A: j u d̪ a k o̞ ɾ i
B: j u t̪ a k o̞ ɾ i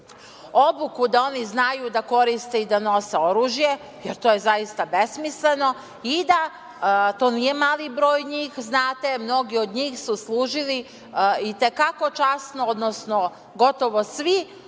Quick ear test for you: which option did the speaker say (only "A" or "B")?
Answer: A